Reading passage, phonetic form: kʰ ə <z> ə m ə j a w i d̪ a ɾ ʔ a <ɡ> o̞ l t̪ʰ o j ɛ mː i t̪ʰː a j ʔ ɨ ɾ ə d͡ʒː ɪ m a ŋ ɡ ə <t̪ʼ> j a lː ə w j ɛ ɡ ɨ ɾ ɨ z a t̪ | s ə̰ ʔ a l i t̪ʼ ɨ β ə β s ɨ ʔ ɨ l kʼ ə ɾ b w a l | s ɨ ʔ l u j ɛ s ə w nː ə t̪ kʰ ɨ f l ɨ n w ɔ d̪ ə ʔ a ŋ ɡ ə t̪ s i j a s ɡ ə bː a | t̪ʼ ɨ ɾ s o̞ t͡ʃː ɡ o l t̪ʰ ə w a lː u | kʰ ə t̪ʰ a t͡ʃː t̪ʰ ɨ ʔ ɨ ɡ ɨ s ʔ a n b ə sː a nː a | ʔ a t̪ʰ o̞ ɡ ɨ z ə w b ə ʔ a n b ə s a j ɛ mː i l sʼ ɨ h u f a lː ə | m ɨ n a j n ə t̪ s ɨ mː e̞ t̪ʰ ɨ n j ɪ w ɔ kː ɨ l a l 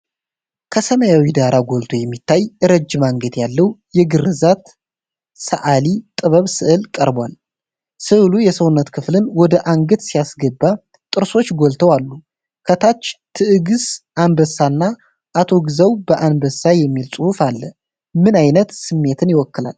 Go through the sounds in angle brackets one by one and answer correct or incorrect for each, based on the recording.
incorrect, correct, incorrect

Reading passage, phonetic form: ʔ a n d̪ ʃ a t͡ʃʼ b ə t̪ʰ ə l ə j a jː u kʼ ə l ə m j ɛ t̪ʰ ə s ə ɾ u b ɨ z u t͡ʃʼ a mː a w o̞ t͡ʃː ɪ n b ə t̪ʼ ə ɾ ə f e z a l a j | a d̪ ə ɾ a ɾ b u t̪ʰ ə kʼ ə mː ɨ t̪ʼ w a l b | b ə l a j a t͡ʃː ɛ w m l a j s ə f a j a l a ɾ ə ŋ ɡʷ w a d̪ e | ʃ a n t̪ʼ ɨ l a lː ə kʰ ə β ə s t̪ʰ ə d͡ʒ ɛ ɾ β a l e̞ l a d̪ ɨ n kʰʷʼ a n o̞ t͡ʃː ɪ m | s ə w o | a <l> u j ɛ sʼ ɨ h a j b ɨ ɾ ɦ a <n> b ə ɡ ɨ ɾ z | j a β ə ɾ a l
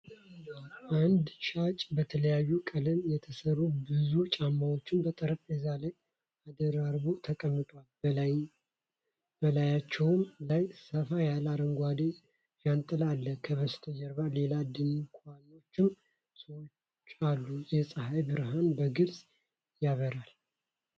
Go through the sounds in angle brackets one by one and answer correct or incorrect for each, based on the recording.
incorrect, correct

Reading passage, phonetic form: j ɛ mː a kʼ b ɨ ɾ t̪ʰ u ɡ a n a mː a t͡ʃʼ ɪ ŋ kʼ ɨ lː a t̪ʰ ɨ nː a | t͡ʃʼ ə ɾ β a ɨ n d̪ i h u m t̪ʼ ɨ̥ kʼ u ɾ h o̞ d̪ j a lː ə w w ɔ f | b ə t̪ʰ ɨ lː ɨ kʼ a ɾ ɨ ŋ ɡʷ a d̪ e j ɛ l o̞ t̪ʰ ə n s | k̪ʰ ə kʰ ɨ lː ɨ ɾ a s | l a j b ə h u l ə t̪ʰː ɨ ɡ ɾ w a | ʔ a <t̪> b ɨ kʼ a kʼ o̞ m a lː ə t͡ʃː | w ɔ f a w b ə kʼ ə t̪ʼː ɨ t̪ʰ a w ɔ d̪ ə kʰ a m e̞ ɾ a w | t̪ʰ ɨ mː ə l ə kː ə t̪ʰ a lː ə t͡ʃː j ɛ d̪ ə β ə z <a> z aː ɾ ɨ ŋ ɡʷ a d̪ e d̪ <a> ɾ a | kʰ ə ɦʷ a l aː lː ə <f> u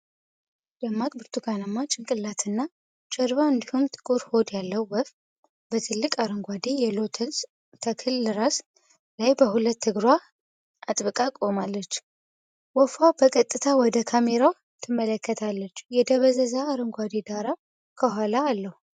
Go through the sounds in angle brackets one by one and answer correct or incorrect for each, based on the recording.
incorrect, incorrect, correct, incorrect

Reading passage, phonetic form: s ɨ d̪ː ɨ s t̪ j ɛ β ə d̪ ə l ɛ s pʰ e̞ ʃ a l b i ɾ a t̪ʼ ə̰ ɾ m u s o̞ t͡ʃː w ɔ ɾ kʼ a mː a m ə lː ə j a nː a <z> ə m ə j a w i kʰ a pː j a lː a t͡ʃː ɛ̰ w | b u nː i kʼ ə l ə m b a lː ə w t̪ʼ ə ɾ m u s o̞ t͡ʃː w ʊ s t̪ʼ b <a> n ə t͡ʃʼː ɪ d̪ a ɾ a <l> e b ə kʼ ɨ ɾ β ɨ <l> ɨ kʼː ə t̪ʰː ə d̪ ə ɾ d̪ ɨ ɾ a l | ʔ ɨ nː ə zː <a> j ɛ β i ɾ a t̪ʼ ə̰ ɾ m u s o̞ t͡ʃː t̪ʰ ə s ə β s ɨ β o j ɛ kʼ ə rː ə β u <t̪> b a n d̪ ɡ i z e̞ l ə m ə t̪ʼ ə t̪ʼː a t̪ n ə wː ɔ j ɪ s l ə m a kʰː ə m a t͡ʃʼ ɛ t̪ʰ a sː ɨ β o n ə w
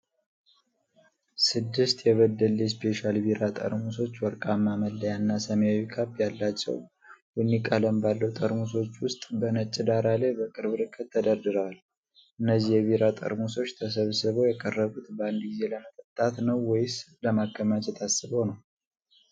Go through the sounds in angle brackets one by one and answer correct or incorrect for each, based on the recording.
incorrect, incorrect, correct, incorrect, incorrect, correct

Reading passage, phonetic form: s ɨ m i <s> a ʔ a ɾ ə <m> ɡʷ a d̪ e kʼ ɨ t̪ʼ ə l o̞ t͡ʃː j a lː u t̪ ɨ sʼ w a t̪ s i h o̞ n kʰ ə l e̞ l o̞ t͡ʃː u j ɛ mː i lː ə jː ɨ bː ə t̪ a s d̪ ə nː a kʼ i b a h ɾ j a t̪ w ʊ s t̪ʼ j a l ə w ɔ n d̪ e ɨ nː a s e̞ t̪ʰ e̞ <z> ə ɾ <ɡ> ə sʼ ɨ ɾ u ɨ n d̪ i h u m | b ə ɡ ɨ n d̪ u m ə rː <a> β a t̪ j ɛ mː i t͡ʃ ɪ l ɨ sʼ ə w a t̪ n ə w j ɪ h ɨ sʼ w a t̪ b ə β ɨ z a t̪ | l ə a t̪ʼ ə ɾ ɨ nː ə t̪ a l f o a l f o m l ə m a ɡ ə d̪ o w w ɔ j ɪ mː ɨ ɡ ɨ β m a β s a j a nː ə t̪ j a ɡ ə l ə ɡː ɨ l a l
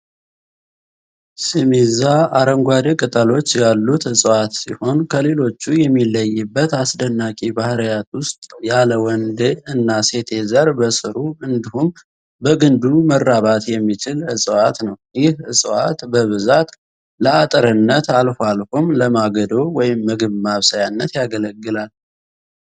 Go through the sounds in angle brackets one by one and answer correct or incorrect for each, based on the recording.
incorrect, incorrect, correct, incorrect, correct

